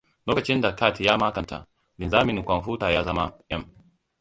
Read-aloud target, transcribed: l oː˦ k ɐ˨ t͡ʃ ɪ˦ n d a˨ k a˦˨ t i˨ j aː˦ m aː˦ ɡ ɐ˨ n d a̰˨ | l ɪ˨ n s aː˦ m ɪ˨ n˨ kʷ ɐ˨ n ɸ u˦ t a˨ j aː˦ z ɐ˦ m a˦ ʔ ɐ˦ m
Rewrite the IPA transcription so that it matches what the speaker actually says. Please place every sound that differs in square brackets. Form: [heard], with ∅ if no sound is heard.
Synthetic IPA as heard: l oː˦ k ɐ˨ t͡ʃ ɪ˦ n d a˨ k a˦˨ t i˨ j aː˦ m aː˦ [k] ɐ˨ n [t] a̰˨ | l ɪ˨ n [z] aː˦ m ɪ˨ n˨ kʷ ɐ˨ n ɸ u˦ t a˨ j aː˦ z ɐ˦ m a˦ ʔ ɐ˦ m